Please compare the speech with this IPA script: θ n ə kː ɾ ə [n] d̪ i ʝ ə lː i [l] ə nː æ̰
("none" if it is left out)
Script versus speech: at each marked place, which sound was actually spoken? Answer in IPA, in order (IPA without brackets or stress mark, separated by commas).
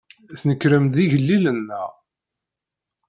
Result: m, l